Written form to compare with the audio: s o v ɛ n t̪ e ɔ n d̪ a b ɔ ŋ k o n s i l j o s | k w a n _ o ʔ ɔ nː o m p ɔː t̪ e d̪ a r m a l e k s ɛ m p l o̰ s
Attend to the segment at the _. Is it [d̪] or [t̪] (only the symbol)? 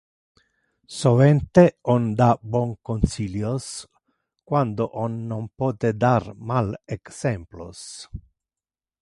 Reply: d̪